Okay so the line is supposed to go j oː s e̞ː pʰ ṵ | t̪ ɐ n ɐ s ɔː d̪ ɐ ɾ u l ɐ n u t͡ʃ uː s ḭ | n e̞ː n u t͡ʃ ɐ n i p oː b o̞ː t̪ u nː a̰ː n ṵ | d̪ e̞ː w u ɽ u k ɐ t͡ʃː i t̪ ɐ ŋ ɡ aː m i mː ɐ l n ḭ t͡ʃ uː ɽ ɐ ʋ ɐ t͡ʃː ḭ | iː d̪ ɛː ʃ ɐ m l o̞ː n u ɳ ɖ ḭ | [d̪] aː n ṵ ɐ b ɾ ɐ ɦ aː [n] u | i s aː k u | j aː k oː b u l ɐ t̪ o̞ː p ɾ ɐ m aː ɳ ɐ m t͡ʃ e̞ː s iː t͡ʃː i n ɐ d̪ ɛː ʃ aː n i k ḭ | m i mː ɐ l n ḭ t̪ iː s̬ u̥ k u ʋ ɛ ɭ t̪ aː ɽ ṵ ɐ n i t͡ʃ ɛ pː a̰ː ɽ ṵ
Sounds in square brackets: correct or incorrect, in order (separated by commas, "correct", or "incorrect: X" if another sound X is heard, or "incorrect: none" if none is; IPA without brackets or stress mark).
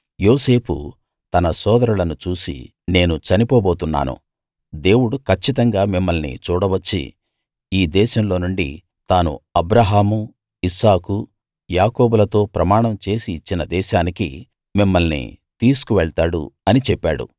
incorrect: t̪, incorrect: m